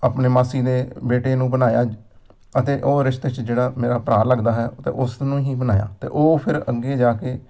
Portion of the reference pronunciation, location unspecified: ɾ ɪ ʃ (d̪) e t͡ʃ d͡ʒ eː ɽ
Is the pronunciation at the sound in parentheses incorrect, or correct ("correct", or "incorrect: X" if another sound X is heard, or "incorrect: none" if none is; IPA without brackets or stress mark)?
incorrect: t̪